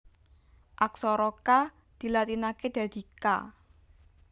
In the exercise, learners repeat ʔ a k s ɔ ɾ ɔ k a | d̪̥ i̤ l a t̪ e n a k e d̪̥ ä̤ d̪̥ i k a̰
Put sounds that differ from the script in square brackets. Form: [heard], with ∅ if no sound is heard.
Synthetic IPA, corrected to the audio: ʔ a k s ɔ ɾ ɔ k a | d̪̥ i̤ l a t̪ [i] n a k e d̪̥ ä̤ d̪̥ i k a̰